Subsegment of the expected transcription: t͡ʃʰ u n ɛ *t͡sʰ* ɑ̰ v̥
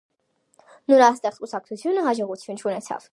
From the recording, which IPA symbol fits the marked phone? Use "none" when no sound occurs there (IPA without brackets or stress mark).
t͡sʰ